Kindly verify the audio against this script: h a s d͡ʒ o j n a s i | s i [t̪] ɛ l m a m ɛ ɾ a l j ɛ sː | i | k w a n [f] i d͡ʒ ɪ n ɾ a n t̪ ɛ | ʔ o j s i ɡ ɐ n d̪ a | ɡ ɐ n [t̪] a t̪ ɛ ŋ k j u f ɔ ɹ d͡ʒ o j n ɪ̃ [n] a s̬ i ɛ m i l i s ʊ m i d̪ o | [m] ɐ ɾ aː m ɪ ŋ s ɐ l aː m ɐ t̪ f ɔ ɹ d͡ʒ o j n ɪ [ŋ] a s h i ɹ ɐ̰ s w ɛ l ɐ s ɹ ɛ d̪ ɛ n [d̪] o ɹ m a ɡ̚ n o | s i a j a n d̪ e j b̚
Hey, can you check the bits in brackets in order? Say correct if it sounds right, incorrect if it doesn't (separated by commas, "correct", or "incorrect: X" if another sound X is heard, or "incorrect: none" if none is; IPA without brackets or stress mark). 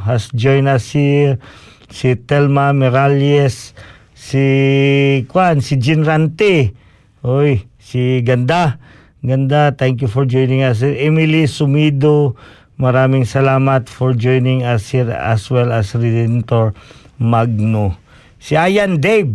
correct, incorrect: s, incorrect: d̪, incorrect: ŋ, correct, correct, incorrect: t̪